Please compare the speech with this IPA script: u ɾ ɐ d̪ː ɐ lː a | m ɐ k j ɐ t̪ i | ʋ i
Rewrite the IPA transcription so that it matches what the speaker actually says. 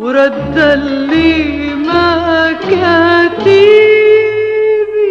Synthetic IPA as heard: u ɾ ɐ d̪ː ɐ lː i | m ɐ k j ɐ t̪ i | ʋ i